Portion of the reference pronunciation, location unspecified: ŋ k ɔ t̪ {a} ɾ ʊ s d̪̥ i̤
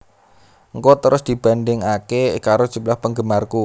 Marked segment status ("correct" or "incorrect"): incorrect